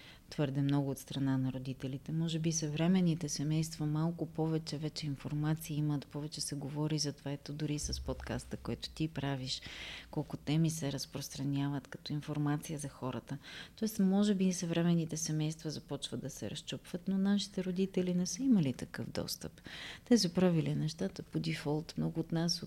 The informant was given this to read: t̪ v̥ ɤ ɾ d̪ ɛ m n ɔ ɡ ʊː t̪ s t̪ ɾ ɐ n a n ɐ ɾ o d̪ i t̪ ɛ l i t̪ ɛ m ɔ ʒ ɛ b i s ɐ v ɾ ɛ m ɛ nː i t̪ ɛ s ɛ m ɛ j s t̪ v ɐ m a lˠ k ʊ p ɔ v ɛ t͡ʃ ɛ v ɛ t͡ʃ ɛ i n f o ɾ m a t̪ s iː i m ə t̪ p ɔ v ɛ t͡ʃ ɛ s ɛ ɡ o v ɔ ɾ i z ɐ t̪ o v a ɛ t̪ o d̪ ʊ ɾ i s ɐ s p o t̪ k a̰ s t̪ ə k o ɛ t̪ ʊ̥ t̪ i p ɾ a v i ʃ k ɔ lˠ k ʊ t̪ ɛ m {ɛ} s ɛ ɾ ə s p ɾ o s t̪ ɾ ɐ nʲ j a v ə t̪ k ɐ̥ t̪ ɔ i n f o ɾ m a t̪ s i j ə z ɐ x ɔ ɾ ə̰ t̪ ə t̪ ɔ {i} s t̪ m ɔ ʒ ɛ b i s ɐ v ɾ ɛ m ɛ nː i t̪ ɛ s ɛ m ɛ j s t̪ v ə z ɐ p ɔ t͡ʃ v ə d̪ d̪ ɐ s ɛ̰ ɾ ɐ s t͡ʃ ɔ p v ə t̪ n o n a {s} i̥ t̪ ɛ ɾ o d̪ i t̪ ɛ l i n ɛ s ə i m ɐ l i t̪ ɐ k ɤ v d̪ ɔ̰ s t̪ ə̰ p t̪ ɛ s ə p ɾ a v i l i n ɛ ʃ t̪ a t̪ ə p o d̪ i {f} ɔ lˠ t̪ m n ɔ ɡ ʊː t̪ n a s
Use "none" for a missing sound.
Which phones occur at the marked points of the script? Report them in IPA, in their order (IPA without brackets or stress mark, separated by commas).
i, ɛ, ʃ, f